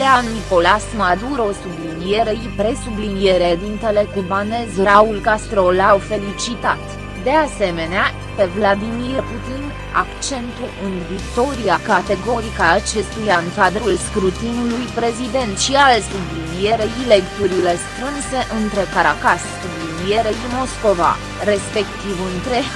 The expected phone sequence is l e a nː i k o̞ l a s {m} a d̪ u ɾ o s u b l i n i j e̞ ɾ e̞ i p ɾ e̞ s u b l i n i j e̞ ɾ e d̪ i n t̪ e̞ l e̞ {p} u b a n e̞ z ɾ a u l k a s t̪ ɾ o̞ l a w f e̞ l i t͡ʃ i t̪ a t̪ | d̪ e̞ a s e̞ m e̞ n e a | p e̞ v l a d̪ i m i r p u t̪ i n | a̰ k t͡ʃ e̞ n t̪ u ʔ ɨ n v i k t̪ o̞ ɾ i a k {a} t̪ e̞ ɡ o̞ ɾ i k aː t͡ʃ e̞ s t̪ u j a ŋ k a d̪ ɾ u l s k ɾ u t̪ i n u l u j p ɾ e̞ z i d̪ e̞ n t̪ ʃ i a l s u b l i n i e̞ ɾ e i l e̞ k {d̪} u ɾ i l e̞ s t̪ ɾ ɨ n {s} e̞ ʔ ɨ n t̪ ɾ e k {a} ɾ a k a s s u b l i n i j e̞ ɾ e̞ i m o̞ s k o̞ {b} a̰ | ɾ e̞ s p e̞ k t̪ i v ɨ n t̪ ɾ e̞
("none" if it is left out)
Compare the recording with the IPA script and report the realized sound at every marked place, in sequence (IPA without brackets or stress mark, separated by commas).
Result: m, k, a, t̪, s, a, v